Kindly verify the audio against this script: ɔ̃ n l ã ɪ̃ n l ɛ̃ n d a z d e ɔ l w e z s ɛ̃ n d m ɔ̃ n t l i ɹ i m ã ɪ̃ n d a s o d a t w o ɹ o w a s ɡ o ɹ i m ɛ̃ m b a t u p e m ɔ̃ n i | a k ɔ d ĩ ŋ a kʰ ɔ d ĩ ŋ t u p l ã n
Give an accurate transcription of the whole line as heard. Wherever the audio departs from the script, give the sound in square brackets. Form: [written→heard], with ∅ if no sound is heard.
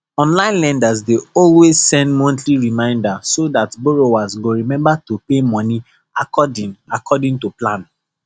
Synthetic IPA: ɔ̃ n l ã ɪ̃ n l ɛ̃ n d a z d e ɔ l w e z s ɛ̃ n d m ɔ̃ n t l i ɹ i m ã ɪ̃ n d a s o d a t [w→b] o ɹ o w a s ɡ o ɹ i m ɛ̃ m b a t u p e m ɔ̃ n i | a k ɔ d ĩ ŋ a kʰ ɔ d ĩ ŋ t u p l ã n